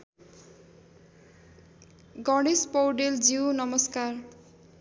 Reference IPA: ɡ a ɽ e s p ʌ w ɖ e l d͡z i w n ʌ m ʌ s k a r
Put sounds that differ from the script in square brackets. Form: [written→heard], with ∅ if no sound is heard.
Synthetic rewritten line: ɡ [a→ʌ] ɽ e s p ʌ w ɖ e l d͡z i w n ʌ m ʌ s k a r